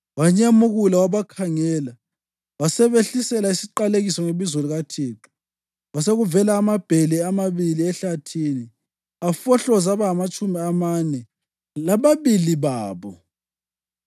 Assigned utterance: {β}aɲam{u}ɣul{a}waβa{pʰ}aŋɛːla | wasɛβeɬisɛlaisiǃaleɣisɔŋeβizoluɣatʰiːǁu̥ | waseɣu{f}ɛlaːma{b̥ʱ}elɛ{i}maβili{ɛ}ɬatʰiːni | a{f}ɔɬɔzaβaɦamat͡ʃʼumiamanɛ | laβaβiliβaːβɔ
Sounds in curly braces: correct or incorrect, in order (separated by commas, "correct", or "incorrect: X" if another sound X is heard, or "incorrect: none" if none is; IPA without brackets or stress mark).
incorrect: w, correct, correct, incorrect: kʰ, incorrect: v, correct, incorrect: a, correct, correct